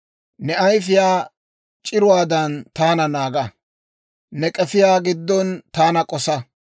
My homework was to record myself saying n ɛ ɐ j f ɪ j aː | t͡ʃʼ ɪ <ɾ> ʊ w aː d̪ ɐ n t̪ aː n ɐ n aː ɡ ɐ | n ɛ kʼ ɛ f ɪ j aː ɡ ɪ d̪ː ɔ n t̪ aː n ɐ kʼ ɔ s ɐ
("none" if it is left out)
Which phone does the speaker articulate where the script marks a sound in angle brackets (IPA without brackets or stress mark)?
ɾ